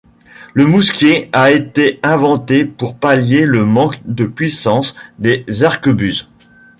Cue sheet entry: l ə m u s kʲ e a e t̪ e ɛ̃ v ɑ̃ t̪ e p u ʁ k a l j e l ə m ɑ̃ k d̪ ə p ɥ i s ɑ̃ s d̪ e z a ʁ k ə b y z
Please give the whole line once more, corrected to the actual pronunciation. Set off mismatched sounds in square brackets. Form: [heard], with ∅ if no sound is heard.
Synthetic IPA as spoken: l ə m u s kʲ e a e t̪ e ɛ̃ v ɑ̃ t̪ e p u ʁ [p] a l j e l ə m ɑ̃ k d̪ ə p ɥ i s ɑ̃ s d̪ e z a ʁ k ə b y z